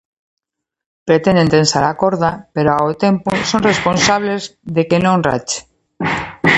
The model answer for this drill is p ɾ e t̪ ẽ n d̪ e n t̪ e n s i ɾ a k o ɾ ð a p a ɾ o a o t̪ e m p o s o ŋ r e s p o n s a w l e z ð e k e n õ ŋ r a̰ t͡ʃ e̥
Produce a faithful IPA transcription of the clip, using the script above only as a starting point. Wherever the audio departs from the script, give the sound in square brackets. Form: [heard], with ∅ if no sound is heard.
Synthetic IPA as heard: p ɾ e t̪ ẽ n d̪ e n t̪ e n s [a] ɾ a k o ɾ ð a p [e] ɾ o a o t̪ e m p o s o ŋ r e s p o n s a [β] l e z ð e k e n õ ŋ r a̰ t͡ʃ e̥